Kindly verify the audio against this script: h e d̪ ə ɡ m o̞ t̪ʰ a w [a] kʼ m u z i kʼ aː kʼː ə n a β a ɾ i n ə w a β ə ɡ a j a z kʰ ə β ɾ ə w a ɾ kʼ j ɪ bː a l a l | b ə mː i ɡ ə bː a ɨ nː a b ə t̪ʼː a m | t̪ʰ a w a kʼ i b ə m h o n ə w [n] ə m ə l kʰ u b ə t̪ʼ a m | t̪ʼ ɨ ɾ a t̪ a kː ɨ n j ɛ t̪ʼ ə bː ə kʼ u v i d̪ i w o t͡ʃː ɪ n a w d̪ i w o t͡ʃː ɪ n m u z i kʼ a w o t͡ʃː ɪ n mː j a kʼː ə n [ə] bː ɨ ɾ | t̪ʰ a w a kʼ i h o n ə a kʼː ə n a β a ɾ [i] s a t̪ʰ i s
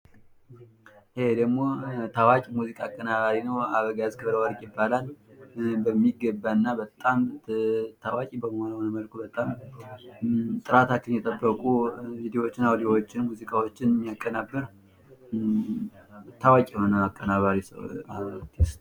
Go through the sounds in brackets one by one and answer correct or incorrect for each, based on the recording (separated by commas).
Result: correct, correct, incorrect, correct